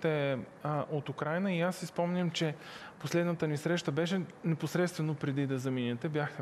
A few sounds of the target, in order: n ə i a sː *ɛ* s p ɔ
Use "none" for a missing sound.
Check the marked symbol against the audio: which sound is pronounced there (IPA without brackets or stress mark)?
i